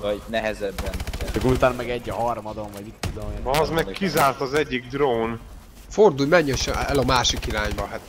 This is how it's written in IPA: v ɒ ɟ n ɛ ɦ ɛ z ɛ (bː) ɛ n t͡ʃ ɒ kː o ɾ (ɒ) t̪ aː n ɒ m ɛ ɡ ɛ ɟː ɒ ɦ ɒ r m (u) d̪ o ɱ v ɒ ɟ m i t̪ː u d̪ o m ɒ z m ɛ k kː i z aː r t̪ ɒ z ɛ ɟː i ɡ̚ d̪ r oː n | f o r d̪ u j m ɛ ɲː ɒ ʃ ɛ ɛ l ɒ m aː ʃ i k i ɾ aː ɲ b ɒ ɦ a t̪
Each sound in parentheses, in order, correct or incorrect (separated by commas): correct, incorrect, incorrect